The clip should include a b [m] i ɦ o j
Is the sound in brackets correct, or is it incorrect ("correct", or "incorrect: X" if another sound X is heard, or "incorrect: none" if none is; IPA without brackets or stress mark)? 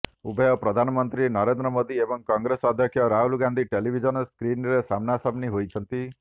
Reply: incorrect: n